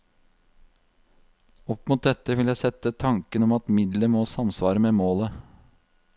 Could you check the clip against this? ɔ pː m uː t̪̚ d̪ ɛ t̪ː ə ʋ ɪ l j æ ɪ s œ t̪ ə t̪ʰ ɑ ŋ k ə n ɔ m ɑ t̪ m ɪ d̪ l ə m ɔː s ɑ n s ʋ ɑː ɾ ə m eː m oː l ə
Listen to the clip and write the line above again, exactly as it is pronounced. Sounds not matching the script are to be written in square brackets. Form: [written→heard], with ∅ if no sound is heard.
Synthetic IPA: ɔ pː m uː t̪̚ d̪ ɛ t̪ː ə ʋ ɪ l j æ ɪ s [œ→ɛ] t̪ ə t̪ʰ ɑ ŋ k ə n ɔ m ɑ t̪ m ɪ d̪ l ə m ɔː s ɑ [n→m] s ʋ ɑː ɾ ə m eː m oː l ə

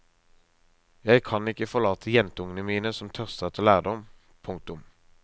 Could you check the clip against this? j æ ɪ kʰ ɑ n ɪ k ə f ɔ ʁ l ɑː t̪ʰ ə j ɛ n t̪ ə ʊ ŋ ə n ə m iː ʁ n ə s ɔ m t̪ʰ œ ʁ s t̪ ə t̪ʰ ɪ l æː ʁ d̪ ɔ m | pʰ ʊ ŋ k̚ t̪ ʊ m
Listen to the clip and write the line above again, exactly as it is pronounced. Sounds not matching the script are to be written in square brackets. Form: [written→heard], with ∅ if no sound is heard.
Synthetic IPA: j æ ɪ kʰ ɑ n ɪ k ə f ɔ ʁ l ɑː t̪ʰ ə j ɛ n t̪ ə ʊ ŋ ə n ə m iː [ʁ→∅] n ə s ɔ m t̪ʰ œ ʁ s t̪ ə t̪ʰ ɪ l æː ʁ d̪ ɔ m | pʰ ʊ ŋ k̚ t̪ ʊ m

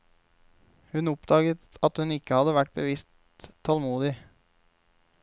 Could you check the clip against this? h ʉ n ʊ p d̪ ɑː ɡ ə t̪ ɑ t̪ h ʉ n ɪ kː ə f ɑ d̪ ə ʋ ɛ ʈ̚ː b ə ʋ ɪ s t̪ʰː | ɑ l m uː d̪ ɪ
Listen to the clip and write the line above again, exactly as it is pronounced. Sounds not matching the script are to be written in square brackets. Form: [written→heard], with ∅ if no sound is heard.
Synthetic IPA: h ʉ n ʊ p d̪ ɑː ɡ ə t̪ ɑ t̪ h ʉ n ɪ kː ə [f→h] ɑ d̪ ə ʋ [ɛ→æ] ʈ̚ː b ə ʋ ɪ s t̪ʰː | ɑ l m uː d̪ ɪ

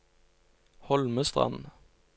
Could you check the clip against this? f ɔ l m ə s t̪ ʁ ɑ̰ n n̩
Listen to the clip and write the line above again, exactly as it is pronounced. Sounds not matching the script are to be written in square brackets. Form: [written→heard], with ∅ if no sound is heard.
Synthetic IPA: [f→h] ɔ l m ə s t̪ ʁ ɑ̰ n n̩

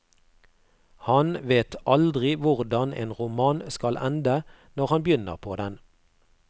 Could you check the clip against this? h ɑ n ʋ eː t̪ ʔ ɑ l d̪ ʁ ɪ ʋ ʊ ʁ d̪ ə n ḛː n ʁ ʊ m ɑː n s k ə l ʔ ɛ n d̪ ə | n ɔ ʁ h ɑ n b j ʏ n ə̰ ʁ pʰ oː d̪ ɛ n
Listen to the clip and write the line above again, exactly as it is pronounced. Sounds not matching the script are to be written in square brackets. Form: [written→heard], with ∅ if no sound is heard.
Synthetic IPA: h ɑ n ʋ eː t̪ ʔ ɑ l d̪ ʁ ɪ ʋ ʊ ʁ d̪ [ə→ɑ] n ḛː n ʁ ʊ m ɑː n s k [ə→ɑ] l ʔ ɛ n d̪ ə | n ɔ ʁ h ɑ n b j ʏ n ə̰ ʁ pʰ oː d̪ ɛ n

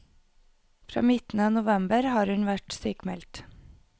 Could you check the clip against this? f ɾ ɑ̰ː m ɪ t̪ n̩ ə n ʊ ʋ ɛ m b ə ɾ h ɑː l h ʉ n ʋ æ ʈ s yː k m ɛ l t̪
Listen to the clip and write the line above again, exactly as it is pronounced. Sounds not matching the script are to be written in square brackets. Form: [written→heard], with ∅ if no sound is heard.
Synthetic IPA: f ɾ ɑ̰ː m ɪ t̪ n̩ ə n ʊ ʋ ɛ m b ə ɾ h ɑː [l→ɾ] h ʉ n ʋ æ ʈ s yː k m ɛ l t̪

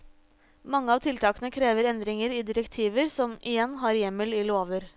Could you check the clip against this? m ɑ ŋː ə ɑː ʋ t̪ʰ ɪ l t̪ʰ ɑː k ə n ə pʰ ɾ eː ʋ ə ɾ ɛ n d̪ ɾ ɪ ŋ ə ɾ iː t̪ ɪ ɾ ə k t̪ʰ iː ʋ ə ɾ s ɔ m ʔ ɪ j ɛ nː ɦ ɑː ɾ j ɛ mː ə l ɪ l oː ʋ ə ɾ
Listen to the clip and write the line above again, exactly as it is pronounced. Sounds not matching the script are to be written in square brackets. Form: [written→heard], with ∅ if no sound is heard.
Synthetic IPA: m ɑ ŋː ə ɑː ʋ t̪ʰ ɪ l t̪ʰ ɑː k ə n ə [pʰ→kʰ] ɾ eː ʋ ə ɾ ɛ n d̪ ɾ ɪ ŋ ə ɾ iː [t̪→d̪] ɪ ɾ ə k t̪ʰ iː ʋ ə ɾ s ɔ m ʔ ɪ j ɛ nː ɦ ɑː ɾ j ɛ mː ə l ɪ l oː ʋ ə ɾ

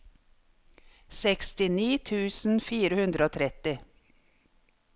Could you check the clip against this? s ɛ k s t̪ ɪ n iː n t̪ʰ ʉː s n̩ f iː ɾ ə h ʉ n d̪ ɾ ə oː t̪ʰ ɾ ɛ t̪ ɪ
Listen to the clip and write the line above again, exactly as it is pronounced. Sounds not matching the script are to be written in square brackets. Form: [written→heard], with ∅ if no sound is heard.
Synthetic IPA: s ɛ k s t̪ ɪ n iː [n→∅] t̪ʰ ʉː s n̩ f iː ɾ ə h ʉ n d̪ ɾ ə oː t̪ʰ ɾ ɛ t̪ ɪ

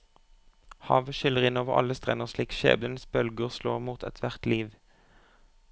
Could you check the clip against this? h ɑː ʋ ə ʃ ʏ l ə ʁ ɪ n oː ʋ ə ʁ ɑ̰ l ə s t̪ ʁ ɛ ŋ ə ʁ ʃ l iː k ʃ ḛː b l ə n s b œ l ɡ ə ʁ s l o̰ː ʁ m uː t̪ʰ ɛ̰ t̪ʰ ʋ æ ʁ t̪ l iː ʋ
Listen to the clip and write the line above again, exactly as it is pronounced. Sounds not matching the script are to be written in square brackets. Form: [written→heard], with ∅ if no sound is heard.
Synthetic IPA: h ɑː ʋ ə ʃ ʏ l ə ʁ ɪ n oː ʋ ə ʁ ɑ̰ l ə s t̪ ʁ ɛ [ŋ→n] ə ʁ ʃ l iː k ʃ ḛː b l ə n s b œ l ɡ ə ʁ s l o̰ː ʁ m uː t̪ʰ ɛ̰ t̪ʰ ʋ æ ʁ t̪ l iː ʋ

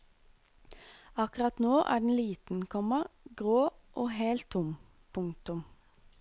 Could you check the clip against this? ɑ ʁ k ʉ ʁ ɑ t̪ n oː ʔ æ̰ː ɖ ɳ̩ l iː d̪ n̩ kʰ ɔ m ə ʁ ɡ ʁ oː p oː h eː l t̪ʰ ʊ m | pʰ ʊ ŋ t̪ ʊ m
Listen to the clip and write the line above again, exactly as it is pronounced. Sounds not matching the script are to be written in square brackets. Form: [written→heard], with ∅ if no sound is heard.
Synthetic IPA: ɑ [ʁ→∅] k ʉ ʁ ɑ t̪ n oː ʔ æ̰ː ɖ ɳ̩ l iː [d̪→t̪] n̩ kʰ ɔ m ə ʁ ɡ ʁ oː [p→ʔ] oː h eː l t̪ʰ ʊ m | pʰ ʊ ŋ t̪ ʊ m

